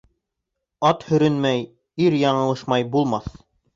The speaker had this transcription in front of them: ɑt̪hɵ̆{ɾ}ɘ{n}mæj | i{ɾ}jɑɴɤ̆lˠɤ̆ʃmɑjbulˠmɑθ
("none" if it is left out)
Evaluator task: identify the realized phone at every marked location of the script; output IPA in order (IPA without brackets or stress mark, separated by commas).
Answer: ɾ, n, ɾ